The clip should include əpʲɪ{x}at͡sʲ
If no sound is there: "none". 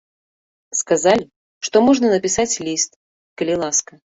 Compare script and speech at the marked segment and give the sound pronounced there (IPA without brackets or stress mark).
s